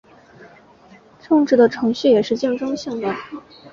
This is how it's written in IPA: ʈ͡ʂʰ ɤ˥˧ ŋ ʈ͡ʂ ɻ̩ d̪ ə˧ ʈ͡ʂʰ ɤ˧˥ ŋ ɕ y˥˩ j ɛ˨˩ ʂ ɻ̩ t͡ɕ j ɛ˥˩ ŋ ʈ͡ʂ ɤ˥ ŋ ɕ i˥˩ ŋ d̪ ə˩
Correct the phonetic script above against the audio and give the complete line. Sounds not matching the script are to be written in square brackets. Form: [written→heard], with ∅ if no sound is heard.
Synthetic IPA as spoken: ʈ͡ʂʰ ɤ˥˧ ŋ ʈ͡ʂ ɻ̩ d̪ [ə˧→ə˩] ʈ͡ʂʰ ɤ˧˥ ŋ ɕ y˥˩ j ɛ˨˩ ʂ ɻ̩ t͡ɕ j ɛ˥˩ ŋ ʈ͡ʂ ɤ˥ ŋ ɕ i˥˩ ŋ d̪ ə˩